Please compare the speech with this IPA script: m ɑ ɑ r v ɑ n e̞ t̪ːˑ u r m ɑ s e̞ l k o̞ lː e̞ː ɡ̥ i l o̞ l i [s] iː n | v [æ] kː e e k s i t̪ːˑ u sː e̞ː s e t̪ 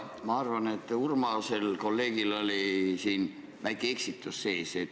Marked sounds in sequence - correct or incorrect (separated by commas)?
correct, correct